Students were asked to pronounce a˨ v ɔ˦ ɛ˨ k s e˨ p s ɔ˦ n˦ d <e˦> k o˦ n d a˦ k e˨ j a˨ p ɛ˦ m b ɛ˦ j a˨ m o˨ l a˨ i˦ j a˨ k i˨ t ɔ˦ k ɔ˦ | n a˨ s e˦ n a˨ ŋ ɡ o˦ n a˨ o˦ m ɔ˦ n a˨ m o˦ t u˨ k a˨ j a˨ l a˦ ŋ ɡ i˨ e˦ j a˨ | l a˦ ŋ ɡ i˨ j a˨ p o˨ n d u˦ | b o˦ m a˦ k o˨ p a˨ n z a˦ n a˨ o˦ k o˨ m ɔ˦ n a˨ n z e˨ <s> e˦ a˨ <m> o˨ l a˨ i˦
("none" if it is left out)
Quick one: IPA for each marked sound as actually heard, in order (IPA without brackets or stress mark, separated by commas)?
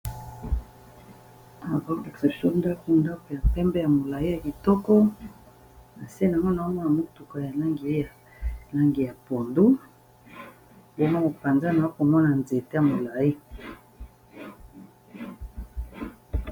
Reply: a˦, t, m